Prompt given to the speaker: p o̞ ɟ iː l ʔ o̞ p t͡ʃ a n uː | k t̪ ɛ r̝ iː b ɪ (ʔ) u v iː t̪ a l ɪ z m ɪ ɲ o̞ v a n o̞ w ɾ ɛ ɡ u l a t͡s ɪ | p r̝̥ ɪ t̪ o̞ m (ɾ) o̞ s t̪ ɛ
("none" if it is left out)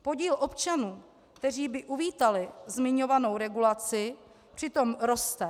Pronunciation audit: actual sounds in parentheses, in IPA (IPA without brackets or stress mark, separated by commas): ʔ, ɾ